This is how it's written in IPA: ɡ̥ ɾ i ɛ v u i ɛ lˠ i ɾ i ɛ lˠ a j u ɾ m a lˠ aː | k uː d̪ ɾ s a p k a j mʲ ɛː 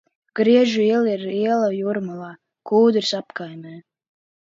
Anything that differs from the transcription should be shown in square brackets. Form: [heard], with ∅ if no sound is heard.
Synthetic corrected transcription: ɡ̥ ɾ i ɛ [ʒ] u i ɛ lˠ i ɾ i ɛ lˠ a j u ɾ m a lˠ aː | k uː d̪ ɾ s a p k a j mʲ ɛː